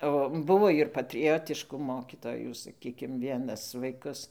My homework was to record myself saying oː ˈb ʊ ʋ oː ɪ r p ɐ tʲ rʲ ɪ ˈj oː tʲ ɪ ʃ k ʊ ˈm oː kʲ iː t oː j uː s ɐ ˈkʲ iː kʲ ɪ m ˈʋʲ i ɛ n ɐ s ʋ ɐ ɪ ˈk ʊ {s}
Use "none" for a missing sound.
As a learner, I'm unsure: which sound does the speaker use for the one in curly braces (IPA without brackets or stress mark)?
s